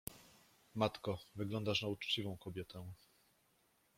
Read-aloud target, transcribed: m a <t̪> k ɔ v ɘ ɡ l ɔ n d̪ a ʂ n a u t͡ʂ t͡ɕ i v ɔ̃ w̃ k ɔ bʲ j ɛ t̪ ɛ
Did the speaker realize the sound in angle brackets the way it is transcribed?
yes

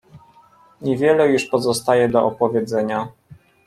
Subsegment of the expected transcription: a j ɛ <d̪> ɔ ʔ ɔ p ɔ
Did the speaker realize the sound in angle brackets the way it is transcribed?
yes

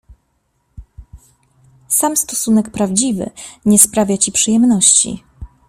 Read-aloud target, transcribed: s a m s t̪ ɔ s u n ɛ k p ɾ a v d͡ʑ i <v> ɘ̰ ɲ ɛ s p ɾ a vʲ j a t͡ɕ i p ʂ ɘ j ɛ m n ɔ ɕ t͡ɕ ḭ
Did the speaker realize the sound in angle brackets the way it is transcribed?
yes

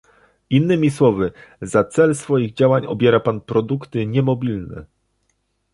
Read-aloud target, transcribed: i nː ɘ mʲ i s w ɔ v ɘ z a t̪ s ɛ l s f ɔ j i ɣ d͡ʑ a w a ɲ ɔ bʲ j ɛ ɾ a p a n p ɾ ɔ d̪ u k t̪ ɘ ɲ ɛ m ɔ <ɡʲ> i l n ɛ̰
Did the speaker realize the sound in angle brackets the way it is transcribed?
no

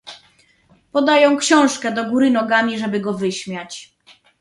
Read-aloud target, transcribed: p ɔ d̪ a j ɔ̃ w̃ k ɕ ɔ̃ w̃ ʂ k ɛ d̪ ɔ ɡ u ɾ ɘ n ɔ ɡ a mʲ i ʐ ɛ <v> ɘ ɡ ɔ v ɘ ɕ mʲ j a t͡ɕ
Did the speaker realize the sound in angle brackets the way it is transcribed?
no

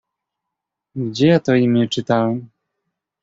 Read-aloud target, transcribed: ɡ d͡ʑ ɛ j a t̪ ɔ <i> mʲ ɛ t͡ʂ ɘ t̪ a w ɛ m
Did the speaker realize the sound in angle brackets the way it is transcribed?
yes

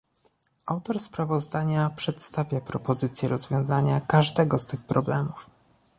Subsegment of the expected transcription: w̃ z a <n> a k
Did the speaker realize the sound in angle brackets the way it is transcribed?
no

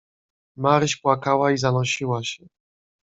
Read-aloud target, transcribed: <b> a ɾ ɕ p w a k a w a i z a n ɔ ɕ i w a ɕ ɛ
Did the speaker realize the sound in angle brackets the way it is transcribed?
no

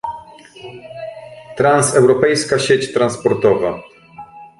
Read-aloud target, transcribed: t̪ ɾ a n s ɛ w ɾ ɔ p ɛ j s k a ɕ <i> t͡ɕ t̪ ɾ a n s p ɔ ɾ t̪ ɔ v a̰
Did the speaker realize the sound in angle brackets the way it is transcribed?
no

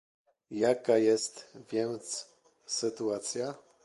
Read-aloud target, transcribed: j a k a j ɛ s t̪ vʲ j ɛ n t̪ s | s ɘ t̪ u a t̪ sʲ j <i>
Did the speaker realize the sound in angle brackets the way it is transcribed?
no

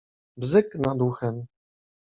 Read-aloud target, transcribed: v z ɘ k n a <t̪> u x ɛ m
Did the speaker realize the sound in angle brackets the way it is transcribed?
no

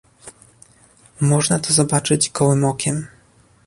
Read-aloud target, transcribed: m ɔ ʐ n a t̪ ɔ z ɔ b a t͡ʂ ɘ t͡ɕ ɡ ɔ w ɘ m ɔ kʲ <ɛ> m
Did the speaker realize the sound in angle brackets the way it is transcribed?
yes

